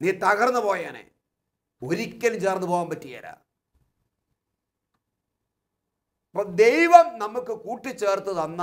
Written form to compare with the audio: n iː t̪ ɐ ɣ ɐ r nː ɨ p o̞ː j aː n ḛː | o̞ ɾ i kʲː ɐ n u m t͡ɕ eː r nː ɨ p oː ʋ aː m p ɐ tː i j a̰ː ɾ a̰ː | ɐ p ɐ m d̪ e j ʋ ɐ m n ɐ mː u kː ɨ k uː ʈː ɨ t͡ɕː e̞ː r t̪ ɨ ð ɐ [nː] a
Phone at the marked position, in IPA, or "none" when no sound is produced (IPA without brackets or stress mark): nː